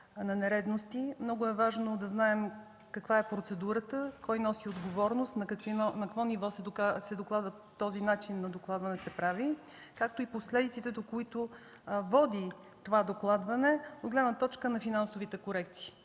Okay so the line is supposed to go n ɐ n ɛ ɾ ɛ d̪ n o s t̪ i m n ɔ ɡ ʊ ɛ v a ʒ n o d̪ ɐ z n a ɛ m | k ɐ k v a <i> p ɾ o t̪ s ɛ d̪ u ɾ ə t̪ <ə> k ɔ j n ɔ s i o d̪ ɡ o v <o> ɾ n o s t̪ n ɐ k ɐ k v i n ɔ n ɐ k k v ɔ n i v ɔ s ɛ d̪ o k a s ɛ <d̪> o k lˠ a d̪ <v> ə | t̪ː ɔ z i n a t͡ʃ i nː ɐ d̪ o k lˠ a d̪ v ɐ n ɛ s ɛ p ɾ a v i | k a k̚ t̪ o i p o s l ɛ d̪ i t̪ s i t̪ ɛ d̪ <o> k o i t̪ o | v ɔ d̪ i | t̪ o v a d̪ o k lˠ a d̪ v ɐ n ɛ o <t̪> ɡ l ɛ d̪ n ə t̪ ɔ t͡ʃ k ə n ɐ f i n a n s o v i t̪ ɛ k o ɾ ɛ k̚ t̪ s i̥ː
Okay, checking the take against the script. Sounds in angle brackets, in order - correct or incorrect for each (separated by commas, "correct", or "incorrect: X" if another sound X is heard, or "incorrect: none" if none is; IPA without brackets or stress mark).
incorrect: ɛ, correct, incorrect: ɔ, correct, correct, correct, incorrect: d̪